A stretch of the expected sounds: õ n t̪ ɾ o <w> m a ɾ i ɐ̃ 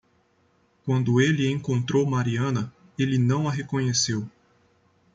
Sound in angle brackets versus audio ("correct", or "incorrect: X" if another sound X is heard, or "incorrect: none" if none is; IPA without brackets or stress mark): correct